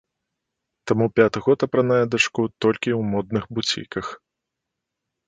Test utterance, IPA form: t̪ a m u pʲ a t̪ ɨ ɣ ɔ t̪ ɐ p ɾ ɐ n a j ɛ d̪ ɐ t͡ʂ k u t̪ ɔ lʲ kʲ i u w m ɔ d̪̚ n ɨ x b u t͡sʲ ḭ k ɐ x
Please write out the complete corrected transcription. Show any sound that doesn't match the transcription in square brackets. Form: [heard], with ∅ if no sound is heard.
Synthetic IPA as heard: t̪ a m u pʲ a t̪ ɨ ɣ ɔ t̪ ɐ p ɾ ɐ n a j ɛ d̪ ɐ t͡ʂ k u t̪ ɔ lʲ kʲ i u w m ɔ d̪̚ n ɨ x b u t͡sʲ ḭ k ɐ x